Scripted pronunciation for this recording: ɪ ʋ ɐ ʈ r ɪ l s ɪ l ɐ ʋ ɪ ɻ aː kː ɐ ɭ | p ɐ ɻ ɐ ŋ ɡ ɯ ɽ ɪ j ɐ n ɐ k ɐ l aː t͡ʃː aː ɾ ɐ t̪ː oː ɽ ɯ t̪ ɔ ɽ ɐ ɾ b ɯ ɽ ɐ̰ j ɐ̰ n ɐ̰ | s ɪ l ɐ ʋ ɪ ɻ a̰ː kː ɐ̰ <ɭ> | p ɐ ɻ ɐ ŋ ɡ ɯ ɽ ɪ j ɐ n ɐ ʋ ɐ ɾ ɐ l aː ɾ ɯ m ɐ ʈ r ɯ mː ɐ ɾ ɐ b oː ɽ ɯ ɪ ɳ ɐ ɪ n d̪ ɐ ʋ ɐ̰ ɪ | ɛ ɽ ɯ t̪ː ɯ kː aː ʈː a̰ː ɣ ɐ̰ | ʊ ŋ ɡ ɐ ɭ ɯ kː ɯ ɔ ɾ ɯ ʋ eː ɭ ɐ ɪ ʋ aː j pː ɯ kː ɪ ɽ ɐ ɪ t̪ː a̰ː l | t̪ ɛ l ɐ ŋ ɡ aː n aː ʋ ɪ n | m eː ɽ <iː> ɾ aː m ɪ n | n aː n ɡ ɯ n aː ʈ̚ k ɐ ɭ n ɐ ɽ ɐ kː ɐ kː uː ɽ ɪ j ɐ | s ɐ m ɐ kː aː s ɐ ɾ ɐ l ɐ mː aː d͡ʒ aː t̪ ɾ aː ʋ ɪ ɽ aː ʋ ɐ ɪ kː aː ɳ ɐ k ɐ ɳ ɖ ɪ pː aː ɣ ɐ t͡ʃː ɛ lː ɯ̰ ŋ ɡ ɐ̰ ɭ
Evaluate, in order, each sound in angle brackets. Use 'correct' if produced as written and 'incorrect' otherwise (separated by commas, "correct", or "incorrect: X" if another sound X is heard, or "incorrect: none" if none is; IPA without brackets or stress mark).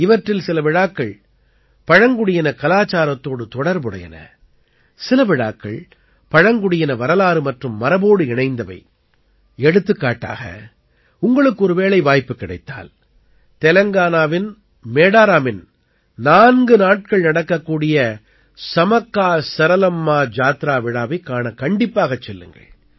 correct, incorrect: aː